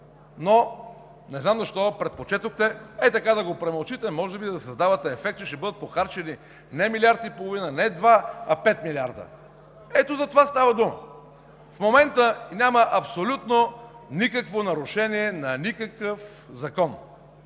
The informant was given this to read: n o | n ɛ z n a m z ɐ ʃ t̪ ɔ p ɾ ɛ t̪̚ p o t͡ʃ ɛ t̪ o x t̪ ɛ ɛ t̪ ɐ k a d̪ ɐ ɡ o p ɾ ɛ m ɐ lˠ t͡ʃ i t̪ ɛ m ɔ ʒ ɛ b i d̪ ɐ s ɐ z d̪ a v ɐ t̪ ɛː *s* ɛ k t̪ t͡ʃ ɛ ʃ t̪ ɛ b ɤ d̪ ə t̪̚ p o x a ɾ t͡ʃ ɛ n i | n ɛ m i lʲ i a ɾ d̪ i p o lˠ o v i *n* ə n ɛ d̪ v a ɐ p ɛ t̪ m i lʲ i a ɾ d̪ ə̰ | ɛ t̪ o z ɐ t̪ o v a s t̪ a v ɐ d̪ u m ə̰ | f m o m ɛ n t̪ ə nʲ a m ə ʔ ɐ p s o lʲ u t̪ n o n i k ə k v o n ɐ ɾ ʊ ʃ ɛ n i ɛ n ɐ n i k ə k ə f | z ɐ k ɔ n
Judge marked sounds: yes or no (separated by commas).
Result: no, yes